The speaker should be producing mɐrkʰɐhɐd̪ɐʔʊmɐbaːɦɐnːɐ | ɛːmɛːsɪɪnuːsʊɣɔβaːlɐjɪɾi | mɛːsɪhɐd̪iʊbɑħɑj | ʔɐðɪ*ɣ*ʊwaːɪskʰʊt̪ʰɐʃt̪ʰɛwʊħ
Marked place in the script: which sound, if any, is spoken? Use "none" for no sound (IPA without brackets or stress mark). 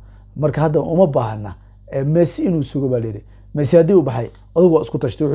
ɣ